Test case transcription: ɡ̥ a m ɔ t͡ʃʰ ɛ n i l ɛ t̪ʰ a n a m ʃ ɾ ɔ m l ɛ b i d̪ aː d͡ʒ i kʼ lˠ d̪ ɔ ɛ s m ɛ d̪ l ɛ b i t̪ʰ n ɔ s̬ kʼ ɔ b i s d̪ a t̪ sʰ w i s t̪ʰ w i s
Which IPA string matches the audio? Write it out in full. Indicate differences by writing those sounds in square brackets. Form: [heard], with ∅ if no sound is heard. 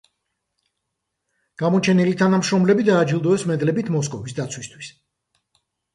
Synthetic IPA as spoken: ɡ̥ a m ɔ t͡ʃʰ ɛ n i l [i] t̪ʰ a n a m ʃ ɾ ɔ m l ɛ b i d̪ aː d͡ʒ i [∅] lˠ d̪ ɔ ɛ s m ɛ d̪ l ɛ b i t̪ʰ [m] ɔ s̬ kʼ ɔ [v] i s d̪ a t̪ sʰ w i s t̪ʰ w i s